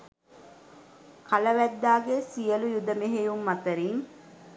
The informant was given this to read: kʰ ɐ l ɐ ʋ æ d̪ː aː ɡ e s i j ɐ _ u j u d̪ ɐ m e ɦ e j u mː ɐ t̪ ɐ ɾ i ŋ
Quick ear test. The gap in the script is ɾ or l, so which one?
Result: l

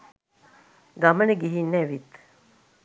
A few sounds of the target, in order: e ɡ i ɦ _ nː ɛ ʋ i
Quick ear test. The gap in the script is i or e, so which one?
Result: i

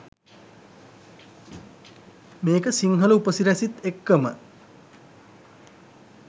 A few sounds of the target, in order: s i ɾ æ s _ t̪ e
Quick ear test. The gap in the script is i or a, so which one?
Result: i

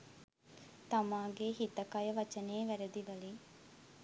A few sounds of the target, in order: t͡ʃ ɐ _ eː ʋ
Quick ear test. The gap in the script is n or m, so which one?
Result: n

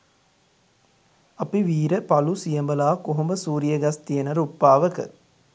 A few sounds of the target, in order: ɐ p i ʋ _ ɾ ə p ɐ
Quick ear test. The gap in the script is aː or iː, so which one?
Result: iː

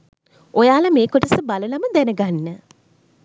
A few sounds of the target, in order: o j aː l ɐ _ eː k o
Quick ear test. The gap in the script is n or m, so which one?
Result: m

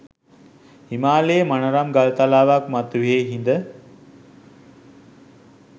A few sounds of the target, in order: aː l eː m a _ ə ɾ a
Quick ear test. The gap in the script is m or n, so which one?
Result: n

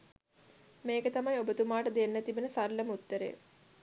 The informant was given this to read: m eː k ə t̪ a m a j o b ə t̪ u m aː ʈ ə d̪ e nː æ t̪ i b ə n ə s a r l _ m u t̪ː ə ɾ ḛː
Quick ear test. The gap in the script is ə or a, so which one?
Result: ə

